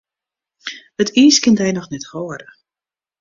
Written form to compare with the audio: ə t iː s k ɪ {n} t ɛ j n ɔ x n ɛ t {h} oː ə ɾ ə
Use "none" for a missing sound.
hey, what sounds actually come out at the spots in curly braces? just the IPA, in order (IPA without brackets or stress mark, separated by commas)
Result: n, h